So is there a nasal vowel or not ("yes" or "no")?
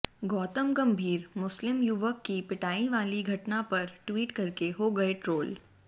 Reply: no